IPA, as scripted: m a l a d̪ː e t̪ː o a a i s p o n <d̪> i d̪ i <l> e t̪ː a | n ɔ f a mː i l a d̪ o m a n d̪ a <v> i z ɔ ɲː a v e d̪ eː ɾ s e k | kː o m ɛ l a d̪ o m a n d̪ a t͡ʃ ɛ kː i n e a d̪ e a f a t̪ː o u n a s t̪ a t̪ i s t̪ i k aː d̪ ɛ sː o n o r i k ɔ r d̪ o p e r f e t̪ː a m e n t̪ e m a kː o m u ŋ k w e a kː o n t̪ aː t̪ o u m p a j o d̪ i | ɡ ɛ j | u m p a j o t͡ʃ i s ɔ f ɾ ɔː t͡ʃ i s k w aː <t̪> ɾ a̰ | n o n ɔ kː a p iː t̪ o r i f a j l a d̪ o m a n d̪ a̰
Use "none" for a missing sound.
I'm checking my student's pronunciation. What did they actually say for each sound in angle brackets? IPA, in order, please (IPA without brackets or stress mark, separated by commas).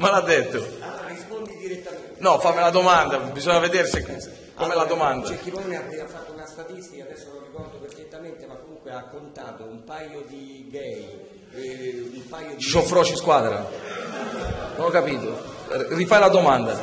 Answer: d̪, ɾ, b, d̪